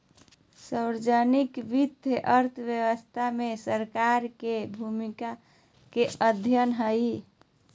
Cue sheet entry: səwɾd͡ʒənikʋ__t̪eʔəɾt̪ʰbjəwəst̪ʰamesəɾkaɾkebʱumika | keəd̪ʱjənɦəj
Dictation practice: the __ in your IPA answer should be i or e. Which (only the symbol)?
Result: i